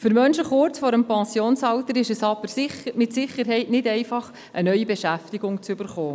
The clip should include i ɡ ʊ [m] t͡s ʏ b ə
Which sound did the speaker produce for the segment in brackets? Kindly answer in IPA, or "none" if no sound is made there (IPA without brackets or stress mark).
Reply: ŋ